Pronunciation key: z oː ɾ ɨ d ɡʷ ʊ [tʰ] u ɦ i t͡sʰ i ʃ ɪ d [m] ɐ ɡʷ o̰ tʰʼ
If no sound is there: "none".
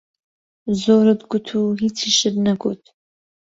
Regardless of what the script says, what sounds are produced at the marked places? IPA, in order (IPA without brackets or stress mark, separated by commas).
tʰ, n